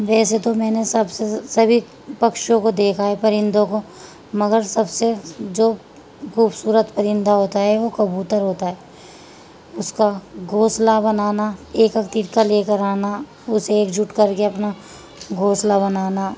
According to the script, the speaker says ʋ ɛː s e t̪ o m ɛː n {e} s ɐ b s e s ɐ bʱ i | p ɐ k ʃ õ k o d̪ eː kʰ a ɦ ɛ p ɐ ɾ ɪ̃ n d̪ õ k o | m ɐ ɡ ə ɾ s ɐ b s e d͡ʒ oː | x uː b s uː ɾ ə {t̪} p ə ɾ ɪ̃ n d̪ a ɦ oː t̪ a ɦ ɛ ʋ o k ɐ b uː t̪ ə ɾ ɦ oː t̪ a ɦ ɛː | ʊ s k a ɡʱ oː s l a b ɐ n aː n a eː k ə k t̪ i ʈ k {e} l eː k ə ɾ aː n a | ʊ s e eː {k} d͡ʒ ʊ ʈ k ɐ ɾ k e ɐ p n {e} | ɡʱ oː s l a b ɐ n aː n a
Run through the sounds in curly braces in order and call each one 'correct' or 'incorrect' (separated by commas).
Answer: correct, correct, incorrect, correct, incorrect